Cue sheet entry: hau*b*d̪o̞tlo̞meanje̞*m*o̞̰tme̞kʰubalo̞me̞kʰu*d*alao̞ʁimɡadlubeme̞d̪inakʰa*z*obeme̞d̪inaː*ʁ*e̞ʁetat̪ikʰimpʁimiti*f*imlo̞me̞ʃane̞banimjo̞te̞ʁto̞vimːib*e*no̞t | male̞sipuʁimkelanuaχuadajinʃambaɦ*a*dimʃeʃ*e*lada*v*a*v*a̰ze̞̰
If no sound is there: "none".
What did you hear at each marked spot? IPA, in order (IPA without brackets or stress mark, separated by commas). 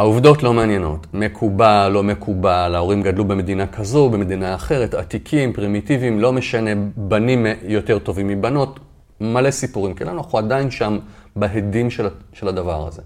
v, n, b, z, χ, v, a, e, e, v, ʁ